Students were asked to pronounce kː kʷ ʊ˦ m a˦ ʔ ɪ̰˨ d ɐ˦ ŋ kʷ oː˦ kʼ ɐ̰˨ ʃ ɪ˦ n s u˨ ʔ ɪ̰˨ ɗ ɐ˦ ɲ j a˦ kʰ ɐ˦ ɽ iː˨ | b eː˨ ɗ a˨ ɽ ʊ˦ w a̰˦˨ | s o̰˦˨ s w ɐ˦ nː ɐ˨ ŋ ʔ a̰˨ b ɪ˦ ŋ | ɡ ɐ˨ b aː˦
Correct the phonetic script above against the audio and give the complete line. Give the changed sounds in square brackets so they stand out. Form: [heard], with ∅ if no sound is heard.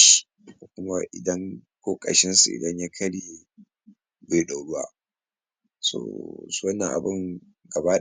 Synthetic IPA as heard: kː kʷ ʊ˦ m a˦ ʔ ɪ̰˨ d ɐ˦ ŋ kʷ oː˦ kʼ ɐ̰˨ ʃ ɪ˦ n s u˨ ʔ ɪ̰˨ [d] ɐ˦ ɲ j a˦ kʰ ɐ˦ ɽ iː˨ | b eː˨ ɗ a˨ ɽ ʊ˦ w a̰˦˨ | s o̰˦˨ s w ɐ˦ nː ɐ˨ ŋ ʔ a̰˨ b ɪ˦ ŋ | ɡ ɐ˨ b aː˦